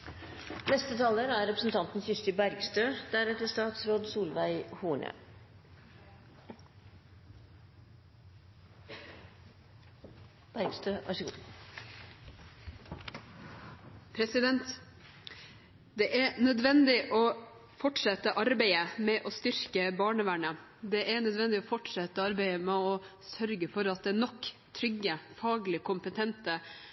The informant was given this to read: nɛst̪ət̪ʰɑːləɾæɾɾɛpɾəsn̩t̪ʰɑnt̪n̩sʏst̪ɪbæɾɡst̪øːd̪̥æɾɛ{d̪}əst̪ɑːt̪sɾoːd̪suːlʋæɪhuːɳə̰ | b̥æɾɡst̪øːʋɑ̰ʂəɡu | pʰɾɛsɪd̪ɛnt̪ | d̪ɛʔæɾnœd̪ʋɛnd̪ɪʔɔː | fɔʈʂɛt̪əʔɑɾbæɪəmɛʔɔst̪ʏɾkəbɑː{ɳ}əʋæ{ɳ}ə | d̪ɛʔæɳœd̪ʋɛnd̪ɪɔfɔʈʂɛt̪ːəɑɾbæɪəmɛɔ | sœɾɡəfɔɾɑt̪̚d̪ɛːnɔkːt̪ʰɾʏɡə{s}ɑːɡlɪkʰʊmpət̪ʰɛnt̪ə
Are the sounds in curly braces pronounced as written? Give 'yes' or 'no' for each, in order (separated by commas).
no, yes, yes, no